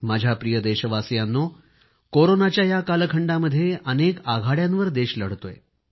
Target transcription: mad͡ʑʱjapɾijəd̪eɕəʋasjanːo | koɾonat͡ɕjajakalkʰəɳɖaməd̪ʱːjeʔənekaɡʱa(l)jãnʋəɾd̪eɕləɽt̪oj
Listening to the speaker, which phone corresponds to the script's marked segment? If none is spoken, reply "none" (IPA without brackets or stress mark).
ɽ